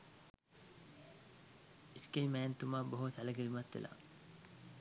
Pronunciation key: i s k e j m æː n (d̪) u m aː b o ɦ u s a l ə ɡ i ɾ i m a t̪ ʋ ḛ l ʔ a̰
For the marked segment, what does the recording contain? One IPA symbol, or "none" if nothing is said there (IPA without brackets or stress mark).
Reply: t̪